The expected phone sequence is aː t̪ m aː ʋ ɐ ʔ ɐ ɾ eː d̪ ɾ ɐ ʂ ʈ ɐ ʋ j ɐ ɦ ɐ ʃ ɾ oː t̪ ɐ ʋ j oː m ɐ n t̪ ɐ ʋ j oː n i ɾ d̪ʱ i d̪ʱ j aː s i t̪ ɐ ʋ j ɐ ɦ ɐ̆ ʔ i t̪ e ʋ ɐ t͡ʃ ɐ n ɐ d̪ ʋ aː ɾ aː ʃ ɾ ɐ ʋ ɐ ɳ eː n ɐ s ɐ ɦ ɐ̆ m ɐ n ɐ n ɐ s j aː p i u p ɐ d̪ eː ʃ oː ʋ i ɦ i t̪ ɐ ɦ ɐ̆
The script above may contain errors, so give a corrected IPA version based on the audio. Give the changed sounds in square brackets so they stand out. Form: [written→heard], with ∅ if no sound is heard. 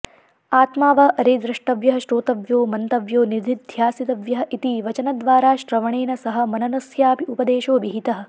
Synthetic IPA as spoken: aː t̪ m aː ʋ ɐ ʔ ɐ ɾ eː d̪ ɾ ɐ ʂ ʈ ɐ ʋ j ɐ ɦ ɐ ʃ ɾ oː t̪ ɐ ʋ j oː m ɐ n t̪ ɐ ʋ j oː n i ɾ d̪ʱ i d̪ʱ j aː s i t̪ ɐ ʋ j ɐ ɦ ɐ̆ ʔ i t̪ [e→i] ʋ ɐ t͡ʃ ɐ n ɐ d̪ ʋ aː ɾ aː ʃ ɾ ɐ ʋ ɐ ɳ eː n ɐ s ɐ ɦ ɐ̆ m ɐ n ɐ n ɐ s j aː p i u p ɐ d̪ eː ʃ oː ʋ i ɦ i t̪ ɐ ɦ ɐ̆